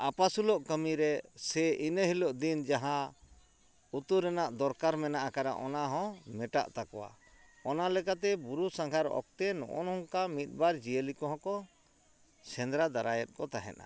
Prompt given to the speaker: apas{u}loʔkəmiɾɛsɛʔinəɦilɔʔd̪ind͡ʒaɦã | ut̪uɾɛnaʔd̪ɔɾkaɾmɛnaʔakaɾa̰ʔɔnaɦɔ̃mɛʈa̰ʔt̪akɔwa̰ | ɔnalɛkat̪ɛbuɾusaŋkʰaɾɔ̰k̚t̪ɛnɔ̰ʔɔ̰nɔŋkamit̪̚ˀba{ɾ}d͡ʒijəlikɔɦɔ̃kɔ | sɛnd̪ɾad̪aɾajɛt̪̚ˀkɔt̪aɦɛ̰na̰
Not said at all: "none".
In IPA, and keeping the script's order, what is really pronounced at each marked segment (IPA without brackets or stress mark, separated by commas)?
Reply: u, ɾ